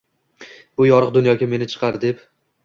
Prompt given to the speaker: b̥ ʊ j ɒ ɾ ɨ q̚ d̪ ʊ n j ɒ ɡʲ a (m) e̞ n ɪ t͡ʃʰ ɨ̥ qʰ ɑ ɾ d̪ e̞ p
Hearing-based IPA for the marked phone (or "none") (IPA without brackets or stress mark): m